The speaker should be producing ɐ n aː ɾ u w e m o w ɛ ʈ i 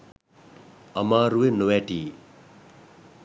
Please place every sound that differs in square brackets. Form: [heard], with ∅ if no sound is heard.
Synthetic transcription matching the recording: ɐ [m] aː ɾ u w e [n] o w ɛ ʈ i